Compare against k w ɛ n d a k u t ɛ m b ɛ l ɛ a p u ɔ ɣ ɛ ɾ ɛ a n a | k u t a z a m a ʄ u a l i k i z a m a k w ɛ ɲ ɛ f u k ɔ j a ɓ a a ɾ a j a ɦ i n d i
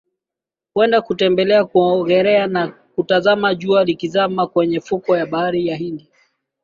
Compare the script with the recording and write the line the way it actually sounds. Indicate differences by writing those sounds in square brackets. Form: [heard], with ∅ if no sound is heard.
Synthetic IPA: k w ɛ n d a k u t ɛ m b ɛ l ɛ a [k] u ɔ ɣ ɛ ɾ ɛ a n a | k u t a z a m a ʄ u a l i k i z a m a k w ɛ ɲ ɛ f u k ɔ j a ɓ a a ɾ [i] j a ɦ i n d i